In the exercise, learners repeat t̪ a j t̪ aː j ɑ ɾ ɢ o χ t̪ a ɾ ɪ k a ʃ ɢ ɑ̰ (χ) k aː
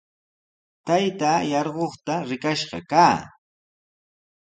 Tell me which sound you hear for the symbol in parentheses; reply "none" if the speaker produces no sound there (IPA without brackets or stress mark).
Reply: none